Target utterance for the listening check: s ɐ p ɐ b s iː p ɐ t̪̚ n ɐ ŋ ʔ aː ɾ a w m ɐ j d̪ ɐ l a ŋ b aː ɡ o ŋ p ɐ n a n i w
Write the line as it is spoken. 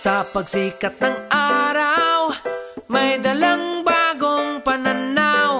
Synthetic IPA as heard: s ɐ p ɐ ɡ s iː k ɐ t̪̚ n ɐ ŋ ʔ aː ɾ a w m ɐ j d̪ ɐ l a ŋ b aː ɡ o ŋ p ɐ n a n a w